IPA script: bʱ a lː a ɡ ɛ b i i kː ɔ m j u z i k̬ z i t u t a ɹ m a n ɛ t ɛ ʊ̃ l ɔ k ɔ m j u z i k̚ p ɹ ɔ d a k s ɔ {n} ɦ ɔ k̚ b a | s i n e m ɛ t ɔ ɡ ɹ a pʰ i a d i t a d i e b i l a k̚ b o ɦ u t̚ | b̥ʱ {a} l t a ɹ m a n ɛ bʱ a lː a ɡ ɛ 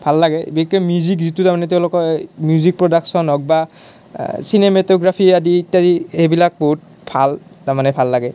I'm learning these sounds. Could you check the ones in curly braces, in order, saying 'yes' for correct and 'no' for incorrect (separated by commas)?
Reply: yes, yes